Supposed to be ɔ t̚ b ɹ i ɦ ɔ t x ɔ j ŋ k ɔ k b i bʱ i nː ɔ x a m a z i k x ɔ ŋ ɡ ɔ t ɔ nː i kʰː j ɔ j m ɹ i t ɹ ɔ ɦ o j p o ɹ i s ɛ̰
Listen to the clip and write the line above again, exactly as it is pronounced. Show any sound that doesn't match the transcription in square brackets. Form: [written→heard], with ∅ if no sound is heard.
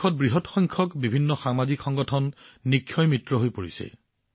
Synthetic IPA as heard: ɔ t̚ b ɹ i ɦ ɔ t x ɔ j ŋ [k→kʰ] ɔ k b i bʱ i nː ɔ x a m a z i k x ɔ ŋ ɡ ɔ [t→tʰ] ɔ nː i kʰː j ɔ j m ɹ i t ɹ ɔ ɦ o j p o ɹ i s ɛ̰